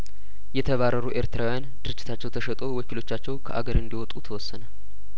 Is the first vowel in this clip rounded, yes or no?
no